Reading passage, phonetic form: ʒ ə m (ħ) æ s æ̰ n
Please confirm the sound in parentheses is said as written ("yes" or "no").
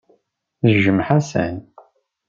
yes